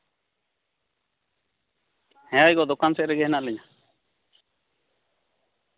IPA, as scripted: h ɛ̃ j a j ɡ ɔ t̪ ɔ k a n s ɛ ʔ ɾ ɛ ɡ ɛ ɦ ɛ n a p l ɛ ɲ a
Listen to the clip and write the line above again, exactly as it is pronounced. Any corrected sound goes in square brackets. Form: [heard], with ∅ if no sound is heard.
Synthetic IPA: h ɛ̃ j a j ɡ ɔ [d̪] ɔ k a n s ɛ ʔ ɾ ɛ ɡ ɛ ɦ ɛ n a [ʔ] l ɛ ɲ a